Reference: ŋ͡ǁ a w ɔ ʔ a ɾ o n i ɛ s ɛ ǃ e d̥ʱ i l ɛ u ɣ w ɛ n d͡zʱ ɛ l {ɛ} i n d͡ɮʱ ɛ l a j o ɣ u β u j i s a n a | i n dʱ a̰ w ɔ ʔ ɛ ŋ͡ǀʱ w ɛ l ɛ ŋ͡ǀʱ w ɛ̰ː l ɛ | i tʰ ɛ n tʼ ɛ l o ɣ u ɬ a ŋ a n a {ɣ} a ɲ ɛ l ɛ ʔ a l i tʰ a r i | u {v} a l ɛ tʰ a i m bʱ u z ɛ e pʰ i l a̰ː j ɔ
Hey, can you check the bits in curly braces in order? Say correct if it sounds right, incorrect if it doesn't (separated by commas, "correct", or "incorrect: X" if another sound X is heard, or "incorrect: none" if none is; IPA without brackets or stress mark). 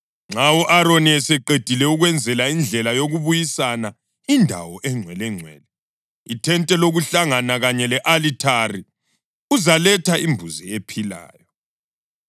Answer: incorrect: a, correct, incorrect: z